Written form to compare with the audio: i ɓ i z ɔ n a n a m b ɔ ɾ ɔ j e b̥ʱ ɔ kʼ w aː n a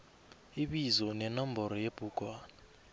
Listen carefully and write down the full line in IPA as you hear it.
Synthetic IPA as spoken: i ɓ i z ɔ n ɛ n a m b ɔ ɾ ɔ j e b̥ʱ u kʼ w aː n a